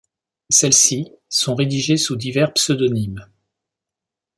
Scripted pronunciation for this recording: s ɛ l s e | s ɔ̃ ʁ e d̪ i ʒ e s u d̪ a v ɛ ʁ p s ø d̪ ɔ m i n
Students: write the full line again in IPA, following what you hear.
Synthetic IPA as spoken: s ɛ l s i | s ɔ̃ ʁ e d̪ i ʒ e s u d̪ i v ɛ ʁ p s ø d̪ ɔ n i m